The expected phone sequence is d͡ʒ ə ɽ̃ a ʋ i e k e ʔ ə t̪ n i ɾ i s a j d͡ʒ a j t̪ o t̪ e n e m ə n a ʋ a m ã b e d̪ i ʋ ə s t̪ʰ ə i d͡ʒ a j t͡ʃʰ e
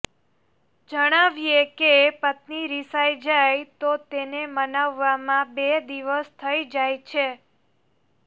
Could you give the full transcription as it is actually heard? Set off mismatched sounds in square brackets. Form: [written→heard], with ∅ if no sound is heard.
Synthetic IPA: d͡ʒ ə ɽ̃ a ʋ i e k e [ʔ→p] ə t̪ n i ɾ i s a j d͡ʒ a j t̪ o t̪ e n e m ə n a [ʋ→ʋː] a m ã b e d̪ i ʋ ə s t̪ʰ ə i d͡ʒ a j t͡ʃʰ e